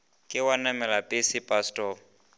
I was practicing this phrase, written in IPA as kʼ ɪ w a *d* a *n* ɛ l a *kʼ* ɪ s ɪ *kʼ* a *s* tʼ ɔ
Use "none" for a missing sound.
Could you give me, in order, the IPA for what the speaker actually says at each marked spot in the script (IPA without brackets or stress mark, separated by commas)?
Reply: n, m, pʼ, pʼ, s